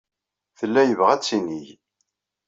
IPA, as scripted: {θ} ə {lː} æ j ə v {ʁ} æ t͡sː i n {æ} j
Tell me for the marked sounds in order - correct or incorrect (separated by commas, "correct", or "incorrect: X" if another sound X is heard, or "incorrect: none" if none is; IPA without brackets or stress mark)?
correct, correct, correct, incorrect: i